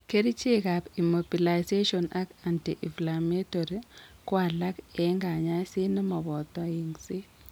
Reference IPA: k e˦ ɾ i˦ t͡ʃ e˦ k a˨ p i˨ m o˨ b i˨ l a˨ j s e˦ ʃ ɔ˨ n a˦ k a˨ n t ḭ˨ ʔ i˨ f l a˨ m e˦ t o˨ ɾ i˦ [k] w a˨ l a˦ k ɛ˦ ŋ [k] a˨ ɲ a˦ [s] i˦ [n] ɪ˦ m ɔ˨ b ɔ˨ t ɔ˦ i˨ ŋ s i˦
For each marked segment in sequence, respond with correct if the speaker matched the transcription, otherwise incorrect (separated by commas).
correct, incorrect, correct, correct